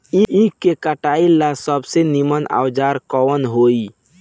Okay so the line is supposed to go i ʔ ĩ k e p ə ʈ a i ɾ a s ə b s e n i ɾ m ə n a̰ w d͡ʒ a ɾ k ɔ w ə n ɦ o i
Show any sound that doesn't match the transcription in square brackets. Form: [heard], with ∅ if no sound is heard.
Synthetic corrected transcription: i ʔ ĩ k e [k] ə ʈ a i [l] a s ə b s e n i [∅] m ə n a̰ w d͡ʒ a ɾ k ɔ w ə n ɦ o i